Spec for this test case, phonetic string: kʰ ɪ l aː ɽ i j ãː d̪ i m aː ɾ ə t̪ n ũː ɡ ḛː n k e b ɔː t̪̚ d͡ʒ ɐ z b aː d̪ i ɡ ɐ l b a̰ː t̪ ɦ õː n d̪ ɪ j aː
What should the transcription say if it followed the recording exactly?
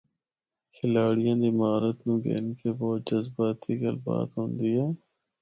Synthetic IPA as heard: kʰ ɪ l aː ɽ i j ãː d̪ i m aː ɾ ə t̪ n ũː ɡ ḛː n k e b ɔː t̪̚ d͡ʒ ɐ z b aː t̪ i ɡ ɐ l b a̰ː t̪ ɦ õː n d̪ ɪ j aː